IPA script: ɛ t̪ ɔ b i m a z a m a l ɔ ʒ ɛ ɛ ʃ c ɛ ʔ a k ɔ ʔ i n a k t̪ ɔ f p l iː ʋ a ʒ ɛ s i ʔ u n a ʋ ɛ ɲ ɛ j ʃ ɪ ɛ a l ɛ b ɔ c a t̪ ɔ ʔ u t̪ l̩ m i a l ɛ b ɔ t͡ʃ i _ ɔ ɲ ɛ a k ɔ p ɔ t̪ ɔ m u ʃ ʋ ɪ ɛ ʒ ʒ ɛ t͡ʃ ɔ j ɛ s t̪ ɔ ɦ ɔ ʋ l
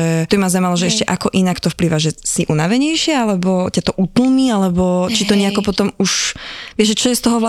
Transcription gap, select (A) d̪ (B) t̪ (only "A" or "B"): B